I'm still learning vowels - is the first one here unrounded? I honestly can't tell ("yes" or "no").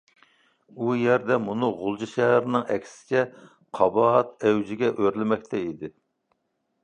no